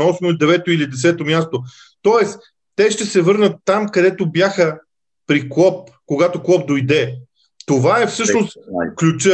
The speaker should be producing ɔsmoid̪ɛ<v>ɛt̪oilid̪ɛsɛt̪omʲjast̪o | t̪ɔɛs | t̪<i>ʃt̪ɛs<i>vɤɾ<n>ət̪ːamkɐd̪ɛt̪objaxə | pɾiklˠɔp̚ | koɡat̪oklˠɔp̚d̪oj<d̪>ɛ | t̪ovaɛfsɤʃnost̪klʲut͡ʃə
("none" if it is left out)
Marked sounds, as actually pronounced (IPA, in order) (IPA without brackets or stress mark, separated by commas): v, ɛ, ɛ, n, d̪